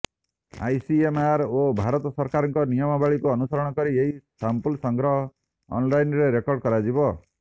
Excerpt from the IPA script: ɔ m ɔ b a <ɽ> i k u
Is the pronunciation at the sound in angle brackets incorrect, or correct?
incorrect: ɭ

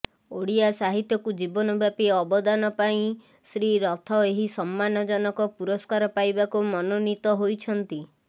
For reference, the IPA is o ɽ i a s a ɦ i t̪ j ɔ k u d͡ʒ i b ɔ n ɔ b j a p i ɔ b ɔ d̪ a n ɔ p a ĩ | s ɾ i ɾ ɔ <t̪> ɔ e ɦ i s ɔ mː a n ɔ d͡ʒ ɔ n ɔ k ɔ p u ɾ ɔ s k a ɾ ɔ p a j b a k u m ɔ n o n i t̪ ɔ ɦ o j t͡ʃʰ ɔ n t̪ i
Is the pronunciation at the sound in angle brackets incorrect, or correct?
incorrect: t̪ʰ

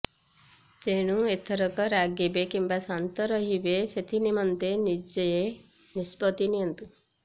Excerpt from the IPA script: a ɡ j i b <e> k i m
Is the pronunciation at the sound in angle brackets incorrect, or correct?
correct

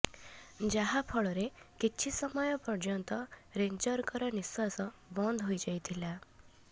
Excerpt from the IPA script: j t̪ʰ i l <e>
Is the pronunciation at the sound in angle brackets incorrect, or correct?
incorrect: a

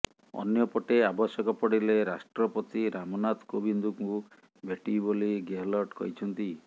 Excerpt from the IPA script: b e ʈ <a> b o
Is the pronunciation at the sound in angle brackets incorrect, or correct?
incorrect: i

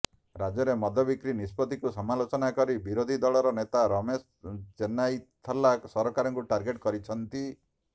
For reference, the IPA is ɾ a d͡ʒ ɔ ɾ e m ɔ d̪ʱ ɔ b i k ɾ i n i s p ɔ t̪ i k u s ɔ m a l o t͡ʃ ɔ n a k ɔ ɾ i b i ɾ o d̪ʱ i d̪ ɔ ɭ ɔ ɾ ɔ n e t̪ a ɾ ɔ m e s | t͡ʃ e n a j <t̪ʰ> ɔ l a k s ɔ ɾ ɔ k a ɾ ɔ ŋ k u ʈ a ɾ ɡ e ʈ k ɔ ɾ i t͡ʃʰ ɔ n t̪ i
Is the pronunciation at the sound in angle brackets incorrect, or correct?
correct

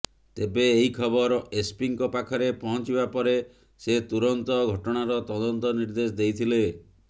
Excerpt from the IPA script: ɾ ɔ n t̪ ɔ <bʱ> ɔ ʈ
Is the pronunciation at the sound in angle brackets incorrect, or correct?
incorrect: ɡʱ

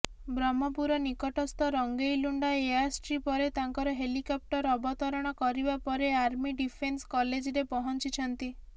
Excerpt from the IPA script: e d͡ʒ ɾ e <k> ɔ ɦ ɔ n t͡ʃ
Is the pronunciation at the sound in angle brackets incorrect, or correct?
incorrect: p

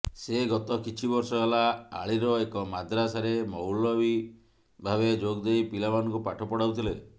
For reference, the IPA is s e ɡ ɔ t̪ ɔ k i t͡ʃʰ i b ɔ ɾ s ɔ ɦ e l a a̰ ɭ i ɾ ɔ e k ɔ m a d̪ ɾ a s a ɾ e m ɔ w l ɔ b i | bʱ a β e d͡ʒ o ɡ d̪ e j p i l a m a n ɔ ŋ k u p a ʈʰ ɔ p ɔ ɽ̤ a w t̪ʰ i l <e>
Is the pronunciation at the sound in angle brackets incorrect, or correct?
correct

